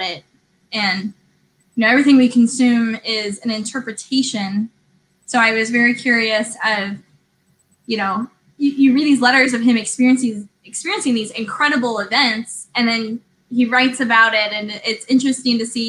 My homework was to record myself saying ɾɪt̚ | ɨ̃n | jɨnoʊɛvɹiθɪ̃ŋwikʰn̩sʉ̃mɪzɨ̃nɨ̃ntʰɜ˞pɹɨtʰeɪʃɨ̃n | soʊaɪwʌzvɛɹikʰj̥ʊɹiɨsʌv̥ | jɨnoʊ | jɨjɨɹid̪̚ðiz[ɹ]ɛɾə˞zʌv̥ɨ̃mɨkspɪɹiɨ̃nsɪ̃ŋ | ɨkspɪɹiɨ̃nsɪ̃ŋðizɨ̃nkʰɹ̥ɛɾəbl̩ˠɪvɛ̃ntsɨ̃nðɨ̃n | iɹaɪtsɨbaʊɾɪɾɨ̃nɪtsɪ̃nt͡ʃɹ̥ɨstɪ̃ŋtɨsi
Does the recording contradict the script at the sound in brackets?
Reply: yes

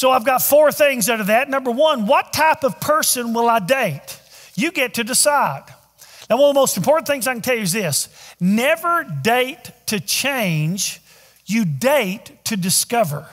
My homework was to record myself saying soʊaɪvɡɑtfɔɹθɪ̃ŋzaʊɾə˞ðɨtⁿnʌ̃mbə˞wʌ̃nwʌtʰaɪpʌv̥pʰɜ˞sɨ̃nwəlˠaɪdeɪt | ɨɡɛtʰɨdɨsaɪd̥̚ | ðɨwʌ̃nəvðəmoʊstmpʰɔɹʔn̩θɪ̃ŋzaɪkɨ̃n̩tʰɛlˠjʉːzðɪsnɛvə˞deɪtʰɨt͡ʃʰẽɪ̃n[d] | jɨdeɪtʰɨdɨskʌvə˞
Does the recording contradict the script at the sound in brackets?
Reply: yes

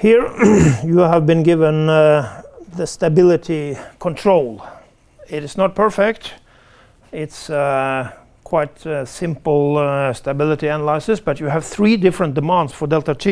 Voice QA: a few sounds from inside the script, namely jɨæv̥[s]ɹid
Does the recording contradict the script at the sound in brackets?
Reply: yes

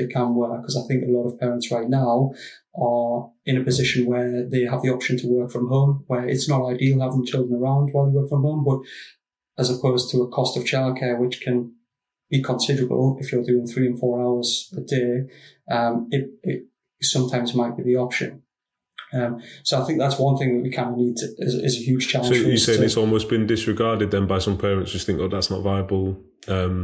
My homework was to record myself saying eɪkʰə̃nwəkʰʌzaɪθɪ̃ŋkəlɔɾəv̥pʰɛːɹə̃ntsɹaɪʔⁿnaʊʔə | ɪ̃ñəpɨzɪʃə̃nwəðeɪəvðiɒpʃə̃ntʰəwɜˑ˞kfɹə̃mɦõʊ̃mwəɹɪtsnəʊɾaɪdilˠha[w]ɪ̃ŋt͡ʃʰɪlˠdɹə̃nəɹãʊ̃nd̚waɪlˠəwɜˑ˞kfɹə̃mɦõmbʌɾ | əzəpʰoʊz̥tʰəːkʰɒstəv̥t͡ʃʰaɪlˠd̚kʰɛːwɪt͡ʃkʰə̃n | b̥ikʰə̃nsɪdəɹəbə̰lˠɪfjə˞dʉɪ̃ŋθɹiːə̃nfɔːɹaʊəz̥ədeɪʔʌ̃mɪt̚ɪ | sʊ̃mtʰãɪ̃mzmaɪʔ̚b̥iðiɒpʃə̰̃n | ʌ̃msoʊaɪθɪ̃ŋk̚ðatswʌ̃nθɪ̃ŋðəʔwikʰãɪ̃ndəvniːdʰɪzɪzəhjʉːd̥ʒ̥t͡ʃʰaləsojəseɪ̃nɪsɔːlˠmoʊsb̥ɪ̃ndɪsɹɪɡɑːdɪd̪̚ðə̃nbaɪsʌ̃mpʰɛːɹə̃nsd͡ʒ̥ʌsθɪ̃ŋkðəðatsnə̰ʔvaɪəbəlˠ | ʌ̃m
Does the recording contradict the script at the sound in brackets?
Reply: yes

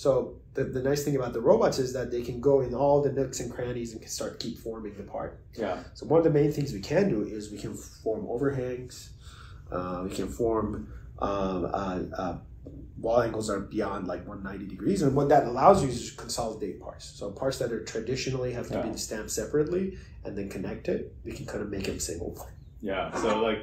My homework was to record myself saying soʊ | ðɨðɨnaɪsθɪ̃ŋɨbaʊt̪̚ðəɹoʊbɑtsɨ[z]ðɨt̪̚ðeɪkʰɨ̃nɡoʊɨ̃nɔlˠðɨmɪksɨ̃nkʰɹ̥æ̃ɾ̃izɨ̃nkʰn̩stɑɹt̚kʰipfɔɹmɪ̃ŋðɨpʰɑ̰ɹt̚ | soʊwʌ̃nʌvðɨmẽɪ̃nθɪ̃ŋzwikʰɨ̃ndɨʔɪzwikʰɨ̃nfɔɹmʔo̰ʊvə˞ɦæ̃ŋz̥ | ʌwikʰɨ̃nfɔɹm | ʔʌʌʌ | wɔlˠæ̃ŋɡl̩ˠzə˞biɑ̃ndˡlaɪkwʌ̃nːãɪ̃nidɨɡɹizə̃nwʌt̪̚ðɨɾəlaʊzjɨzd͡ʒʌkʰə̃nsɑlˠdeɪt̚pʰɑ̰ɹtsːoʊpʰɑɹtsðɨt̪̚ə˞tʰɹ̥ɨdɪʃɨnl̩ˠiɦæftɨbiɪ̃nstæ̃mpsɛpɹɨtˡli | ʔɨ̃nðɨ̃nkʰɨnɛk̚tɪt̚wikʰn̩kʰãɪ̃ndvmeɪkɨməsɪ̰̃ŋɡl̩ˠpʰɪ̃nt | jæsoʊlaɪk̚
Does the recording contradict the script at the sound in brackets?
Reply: no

